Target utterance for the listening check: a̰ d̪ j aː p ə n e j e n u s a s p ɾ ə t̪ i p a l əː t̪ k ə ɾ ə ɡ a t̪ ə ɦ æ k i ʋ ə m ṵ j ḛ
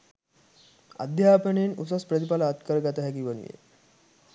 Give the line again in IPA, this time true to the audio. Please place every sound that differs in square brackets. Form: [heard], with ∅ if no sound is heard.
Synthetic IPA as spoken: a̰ d̪ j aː p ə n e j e n u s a s p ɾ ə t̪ i p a l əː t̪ k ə ɾ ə ɡ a t̪ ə ɦ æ k i ʋ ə [n] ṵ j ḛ